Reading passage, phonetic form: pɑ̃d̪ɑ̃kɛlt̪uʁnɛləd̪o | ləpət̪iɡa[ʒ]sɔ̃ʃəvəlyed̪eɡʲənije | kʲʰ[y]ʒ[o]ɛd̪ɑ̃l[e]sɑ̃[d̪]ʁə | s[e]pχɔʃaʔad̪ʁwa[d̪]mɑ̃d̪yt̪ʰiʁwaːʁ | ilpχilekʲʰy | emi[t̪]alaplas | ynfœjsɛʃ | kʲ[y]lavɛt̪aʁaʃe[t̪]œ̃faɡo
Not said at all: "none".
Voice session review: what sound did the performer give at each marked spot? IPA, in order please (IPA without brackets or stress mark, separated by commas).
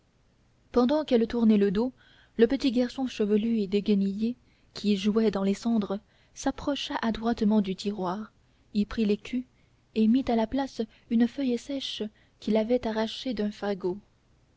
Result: ʁ, i, u, e, d̪, a, t̪, t̪, i, d̪